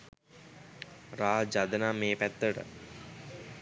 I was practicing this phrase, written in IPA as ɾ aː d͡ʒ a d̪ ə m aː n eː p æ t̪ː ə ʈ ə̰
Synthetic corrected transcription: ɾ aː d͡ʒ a d̪ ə n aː m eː p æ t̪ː ə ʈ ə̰